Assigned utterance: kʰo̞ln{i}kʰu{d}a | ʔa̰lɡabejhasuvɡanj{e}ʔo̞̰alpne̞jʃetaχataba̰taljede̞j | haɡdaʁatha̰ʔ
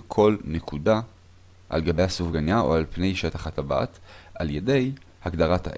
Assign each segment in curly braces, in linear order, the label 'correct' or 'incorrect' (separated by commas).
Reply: incorrect, correct, incorrect